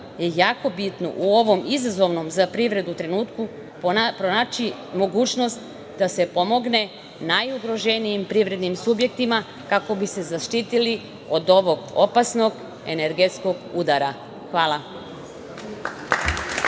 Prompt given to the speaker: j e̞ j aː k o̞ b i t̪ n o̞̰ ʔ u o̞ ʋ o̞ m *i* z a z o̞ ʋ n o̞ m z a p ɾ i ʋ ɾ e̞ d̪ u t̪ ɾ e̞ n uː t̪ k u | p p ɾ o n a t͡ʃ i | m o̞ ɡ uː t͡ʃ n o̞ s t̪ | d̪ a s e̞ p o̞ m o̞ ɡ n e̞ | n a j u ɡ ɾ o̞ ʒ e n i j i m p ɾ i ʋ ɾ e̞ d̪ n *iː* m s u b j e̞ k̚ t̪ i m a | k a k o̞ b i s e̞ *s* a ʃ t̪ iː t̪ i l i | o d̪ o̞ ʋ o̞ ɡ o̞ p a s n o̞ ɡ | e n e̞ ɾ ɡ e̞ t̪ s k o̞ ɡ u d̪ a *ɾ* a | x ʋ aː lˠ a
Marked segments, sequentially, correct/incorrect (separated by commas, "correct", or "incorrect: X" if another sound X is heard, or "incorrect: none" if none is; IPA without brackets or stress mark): correct, incorrect: i, incorrect: z, correct